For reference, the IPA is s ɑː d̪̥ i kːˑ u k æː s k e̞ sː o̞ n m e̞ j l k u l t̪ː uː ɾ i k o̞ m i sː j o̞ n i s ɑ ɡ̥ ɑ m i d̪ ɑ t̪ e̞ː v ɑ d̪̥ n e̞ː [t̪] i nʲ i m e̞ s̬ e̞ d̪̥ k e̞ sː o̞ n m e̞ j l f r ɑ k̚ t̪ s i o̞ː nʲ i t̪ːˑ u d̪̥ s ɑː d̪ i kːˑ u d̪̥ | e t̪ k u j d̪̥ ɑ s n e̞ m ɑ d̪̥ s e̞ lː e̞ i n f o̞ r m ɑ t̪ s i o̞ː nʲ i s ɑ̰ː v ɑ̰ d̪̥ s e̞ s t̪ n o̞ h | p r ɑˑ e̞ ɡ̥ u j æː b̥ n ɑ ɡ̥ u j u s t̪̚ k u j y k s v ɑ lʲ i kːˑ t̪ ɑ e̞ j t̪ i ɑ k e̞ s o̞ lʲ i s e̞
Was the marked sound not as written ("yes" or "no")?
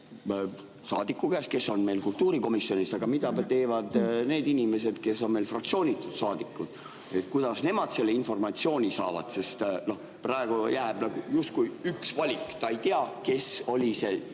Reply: yes